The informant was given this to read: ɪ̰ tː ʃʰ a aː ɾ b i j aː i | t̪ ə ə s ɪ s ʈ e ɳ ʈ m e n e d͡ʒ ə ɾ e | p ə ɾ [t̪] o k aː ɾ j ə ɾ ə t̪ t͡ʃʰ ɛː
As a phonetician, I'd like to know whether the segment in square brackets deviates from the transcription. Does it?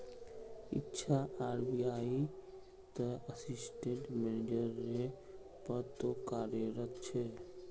no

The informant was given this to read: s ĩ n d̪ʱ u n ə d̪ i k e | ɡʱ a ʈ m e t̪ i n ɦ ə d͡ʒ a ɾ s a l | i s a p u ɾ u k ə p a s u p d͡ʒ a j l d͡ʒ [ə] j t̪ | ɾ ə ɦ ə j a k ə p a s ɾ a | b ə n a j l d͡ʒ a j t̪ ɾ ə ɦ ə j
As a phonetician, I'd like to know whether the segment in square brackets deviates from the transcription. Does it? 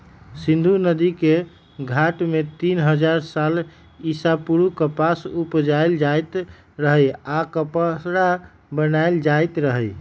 yes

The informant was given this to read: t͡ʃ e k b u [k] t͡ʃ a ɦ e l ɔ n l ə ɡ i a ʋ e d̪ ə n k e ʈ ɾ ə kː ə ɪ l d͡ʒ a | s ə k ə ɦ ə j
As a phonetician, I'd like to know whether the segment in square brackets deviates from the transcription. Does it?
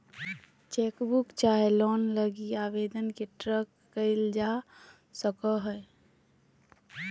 no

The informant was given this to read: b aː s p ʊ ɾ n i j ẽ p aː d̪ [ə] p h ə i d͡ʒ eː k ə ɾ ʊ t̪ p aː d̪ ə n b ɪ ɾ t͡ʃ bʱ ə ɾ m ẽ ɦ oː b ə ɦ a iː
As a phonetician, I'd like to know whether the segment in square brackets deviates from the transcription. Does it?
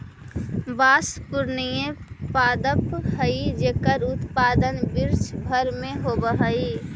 no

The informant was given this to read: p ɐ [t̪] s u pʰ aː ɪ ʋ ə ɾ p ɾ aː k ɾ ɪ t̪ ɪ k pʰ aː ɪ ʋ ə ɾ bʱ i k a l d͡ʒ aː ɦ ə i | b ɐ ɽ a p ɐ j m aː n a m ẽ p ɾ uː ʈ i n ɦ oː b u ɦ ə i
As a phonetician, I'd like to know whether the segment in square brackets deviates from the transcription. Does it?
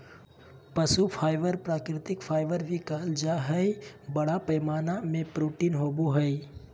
yes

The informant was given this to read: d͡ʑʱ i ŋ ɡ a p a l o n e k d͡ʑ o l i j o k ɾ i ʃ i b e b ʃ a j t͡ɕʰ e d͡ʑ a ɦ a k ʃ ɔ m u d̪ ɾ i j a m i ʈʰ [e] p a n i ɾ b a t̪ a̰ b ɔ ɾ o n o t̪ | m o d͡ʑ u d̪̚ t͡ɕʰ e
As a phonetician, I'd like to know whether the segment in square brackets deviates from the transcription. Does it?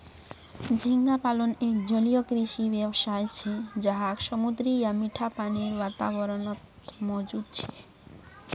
yes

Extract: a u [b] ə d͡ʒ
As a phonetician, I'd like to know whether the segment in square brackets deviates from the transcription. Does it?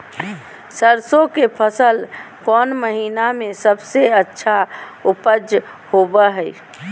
yes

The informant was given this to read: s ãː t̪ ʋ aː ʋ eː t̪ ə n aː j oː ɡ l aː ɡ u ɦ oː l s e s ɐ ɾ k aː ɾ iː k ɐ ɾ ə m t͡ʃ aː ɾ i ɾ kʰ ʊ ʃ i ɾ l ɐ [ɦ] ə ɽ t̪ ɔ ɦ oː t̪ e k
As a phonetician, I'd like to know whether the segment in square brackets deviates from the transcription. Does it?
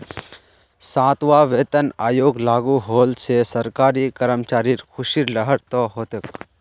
no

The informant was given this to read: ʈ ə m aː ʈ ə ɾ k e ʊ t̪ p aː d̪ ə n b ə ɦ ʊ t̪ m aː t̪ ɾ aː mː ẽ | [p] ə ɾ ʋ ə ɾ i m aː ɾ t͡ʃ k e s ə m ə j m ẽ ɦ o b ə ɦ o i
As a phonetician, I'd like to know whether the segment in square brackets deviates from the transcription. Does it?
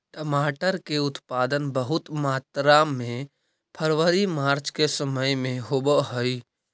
yes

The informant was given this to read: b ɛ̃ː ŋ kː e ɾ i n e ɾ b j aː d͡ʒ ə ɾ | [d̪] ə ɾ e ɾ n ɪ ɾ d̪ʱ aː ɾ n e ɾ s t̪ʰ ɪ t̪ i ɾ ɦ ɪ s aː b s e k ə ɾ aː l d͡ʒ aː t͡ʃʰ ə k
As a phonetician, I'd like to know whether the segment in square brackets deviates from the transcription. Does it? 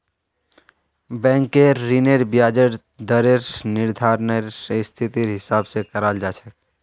no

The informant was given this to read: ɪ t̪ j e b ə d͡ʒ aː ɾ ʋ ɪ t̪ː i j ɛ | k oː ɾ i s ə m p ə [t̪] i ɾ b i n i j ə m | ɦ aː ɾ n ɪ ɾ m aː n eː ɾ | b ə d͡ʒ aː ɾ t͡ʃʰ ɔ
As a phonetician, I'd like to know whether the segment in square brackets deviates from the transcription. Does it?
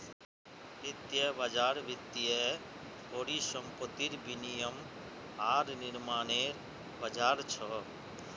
no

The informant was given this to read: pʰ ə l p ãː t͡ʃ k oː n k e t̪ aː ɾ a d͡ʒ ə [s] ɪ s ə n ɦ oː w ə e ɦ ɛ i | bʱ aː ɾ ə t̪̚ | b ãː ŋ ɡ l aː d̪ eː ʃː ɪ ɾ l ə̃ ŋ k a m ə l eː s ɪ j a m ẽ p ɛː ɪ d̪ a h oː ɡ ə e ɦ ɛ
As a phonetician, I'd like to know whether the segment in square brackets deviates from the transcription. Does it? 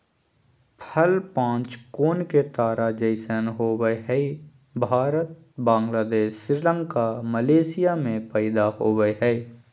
yes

